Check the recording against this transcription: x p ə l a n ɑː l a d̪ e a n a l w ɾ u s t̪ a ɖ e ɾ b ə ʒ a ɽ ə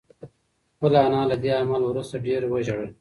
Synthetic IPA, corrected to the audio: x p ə l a n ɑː l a d̪ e a m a l w ɾ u s t̪ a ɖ e ɾ w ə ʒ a ɽ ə

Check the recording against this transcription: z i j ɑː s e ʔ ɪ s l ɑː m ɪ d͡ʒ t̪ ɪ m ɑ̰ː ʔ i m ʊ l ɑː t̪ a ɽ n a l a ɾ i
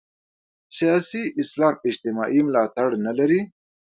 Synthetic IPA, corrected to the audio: s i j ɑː s i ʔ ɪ s l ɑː m ɪ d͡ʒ t̪ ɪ m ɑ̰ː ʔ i m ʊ l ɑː t̪ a ɽ n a l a ɾ i

